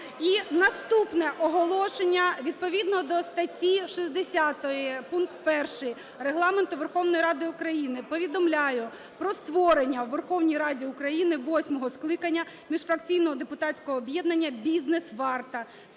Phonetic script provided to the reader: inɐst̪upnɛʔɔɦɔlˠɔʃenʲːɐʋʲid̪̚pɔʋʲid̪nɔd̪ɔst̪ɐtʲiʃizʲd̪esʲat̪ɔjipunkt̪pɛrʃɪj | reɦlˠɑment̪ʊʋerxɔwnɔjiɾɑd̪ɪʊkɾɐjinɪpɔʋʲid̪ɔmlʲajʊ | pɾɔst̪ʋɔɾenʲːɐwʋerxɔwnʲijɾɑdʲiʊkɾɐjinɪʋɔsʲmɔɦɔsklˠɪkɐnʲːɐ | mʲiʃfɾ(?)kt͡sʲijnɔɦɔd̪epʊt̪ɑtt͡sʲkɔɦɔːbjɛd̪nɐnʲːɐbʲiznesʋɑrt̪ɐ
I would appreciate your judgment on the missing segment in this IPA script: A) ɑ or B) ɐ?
B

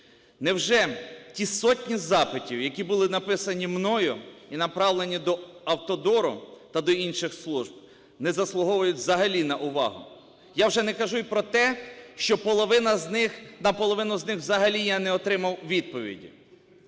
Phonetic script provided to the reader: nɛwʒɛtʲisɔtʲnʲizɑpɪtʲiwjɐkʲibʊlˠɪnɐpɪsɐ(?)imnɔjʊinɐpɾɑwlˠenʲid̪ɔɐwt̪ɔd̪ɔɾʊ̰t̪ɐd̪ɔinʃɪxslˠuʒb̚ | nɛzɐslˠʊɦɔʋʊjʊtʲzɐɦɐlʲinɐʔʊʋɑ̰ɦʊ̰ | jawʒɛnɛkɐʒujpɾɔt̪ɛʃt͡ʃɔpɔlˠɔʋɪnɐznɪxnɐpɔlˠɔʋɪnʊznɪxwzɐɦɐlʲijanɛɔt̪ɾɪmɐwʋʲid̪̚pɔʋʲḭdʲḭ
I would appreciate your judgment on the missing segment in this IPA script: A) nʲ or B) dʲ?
A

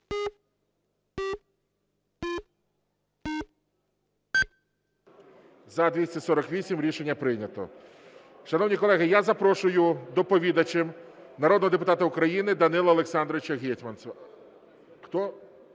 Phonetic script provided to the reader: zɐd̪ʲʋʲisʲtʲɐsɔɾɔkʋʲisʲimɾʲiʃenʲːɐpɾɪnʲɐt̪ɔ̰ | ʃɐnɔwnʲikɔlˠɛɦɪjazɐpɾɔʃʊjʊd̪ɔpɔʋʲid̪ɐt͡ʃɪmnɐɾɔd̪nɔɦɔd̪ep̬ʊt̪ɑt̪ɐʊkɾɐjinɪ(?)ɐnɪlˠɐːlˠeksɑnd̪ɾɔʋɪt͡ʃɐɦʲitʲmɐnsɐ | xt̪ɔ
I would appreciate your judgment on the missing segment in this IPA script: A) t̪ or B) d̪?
B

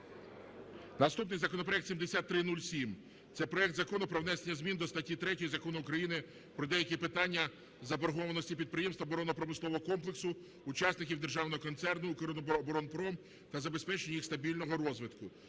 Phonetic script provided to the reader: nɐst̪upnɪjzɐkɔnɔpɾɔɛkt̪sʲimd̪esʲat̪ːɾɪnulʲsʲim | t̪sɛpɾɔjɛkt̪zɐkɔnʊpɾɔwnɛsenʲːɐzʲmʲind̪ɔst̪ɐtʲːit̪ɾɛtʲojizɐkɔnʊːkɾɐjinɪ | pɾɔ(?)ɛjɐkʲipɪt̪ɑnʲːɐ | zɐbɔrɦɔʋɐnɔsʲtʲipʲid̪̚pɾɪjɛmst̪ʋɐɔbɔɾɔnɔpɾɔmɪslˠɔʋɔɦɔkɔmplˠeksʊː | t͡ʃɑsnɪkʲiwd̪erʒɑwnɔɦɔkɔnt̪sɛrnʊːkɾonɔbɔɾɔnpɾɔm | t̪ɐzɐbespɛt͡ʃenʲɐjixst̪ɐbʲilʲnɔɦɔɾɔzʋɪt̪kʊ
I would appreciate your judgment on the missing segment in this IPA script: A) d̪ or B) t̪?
A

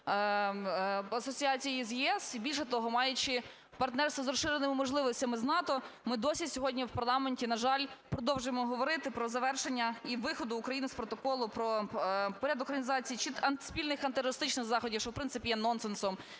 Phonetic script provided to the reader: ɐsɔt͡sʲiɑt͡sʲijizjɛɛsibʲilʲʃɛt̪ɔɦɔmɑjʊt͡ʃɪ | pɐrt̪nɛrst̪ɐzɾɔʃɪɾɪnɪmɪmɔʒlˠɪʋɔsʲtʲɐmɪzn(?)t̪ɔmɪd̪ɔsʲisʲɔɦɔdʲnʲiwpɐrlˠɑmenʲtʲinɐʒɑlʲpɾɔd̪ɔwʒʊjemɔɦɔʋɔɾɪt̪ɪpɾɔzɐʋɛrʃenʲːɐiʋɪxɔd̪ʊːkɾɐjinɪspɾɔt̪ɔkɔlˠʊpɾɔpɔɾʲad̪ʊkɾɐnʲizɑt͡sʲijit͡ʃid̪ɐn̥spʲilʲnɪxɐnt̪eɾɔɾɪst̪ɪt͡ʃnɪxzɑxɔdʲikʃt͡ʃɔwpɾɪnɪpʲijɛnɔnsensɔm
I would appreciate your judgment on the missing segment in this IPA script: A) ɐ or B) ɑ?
B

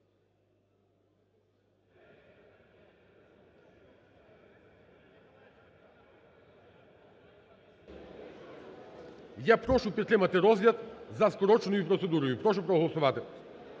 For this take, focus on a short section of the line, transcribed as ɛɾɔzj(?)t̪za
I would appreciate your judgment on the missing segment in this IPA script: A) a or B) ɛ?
A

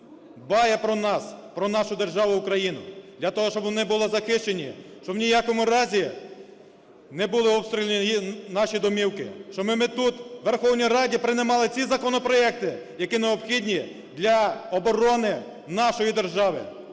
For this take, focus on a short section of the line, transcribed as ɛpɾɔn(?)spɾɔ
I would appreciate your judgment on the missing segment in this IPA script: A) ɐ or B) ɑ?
B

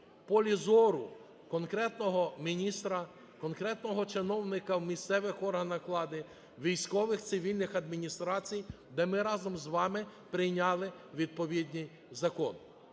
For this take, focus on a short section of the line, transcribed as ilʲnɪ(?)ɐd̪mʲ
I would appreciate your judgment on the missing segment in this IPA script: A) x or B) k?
A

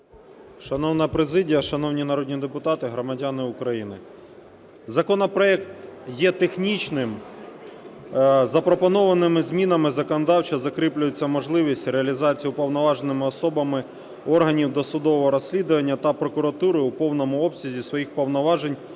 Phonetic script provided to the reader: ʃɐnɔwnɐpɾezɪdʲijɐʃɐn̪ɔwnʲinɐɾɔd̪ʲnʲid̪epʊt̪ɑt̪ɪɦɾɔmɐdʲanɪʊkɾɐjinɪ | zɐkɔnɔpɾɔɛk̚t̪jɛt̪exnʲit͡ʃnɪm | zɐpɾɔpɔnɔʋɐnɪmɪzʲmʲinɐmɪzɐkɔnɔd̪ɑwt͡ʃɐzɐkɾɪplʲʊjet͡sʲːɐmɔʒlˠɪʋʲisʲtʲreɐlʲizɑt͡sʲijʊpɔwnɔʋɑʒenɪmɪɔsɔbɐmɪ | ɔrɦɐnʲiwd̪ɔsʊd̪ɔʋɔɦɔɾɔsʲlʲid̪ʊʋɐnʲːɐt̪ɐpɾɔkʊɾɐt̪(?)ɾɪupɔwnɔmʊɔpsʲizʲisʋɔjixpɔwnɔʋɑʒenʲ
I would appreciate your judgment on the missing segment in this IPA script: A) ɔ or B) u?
B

